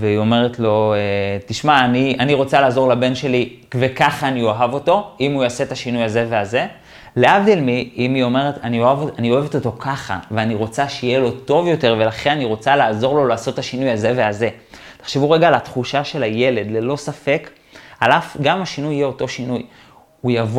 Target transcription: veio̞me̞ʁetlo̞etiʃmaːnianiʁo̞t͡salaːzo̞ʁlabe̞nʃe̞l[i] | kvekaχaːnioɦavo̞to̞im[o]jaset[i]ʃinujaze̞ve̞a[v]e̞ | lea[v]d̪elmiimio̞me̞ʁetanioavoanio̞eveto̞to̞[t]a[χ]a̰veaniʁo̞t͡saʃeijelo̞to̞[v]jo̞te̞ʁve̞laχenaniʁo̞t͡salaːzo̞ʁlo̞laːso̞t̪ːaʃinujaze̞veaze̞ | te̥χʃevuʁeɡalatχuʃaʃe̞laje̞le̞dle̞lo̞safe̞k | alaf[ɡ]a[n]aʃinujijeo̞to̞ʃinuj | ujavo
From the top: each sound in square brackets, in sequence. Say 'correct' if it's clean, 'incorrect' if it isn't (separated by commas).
correct, incorrect, incorrect, incorrect, correct, incorrect, correct, correct, correct, incorrect